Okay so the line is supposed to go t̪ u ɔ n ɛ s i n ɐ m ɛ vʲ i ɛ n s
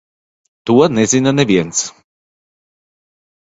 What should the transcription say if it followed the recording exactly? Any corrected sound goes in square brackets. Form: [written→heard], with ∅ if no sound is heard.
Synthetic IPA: t̪ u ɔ n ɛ [s→z] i n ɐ [m→n] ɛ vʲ i ɛ n s

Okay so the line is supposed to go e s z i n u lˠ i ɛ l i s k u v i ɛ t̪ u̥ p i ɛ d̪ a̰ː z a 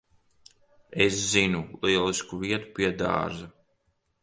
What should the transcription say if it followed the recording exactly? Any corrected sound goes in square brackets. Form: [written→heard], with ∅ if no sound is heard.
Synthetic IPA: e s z i n u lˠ i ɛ l i s k u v i ɛ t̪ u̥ p i ɛ d̪ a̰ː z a

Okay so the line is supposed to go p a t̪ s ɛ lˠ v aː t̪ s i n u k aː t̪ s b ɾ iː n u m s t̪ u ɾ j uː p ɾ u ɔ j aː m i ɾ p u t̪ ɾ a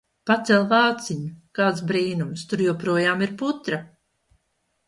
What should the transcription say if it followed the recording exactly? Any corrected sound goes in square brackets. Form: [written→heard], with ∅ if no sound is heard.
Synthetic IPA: p a t̪ s ɛ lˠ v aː t̪ s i [n→ɲ] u k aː t̪ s b ɾ iː n u m s t̪ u ɾ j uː p ɾ u ɔ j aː m i ɾ p u t̪ ɾ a

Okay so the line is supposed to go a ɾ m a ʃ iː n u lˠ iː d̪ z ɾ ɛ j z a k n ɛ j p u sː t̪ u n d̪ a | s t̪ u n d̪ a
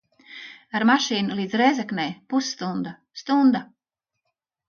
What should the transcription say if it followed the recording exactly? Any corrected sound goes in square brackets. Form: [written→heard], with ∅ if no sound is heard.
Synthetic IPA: a ɾ m a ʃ iː n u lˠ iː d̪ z ɾ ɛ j z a k n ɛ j p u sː t̪ u n d̪ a | s t̪ u n d̪ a

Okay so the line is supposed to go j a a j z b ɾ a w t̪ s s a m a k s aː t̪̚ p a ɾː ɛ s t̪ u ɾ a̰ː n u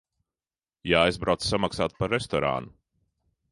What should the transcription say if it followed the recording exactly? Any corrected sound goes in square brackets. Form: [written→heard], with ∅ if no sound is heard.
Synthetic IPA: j a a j z b ɾ a w t̪ s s a m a k s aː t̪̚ p a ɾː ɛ s t̪ [u→ɔ] ɾ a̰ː n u

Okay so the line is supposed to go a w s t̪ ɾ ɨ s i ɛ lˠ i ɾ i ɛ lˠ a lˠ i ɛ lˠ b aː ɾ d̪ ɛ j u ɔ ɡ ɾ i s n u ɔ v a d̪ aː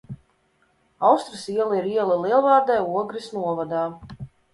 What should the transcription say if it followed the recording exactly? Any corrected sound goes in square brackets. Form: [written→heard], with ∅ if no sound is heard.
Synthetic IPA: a w s t̪ ɾ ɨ s i ɛ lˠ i ɾ i ɛ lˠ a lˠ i ɛ lˠ [b→v] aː ɾ d̪ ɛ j u ɔ ɡ ɾ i s n u ɔ v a d̪ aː

